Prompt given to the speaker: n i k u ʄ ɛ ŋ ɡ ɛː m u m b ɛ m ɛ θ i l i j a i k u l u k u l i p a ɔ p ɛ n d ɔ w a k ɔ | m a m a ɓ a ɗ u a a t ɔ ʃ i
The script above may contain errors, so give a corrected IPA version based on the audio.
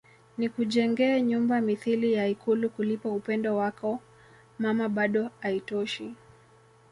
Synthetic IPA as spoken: n i k u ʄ ɛ ŋ ɡ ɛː ɲ u m b a m i θ i l i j a i k u l u k u l i p a u p ɛ n d ɔ w a k ɔ | m a m a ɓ a ɗ ɔ a i t ɔ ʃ i

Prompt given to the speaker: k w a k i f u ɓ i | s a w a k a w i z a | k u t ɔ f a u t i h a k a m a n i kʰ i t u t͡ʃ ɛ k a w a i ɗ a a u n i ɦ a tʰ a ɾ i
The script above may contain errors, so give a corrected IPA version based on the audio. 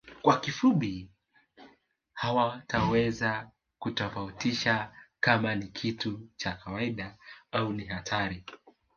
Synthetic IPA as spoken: k w a k i f u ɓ i | h a w a t a w ɛ z a | k u t ɔ f a u t i ʃ a k a m a n i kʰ i t u t͡ʃ a k a w a i ɗ a a u n i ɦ a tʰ a ɾ i

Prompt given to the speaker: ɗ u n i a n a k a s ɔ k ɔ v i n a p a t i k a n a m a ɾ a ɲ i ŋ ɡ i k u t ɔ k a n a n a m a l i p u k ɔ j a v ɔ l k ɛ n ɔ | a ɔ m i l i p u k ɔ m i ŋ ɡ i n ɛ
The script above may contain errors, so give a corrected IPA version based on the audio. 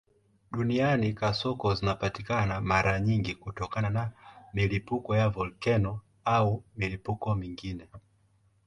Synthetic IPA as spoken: ɗ u n i a n i k a s ɔ k ɔ z i n a p a t i k a n a m a ɾ a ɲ i ŋ ɡ i k u t ɔ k a n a n a m i l i p u k ɔ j a v ɔ l k ɛ n ɔ | a u m i l i p u k ɔ m i ŋ ɡ i n ɛ

